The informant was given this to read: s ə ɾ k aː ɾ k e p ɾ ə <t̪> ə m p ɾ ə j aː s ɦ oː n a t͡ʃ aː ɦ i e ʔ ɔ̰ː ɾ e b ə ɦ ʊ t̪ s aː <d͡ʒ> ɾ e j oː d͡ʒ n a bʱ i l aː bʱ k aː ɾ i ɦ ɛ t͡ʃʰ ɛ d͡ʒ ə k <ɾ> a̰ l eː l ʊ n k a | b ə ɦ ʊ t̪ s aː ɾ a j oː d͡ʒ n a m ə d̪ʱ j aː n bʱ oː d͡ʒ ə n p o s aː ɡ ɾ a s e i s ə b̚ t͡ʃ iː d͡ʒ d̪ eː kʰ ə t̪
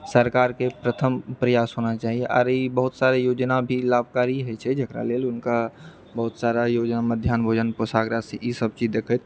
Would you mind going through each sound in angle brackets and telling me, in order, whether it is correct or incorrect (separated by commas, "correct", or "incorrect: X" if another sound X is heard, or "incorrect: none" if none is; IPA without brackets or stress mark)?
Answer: incorrect: t̪ʰ, incorrect: none, correct